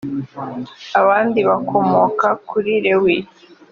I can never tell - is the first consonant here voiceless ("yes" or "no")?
no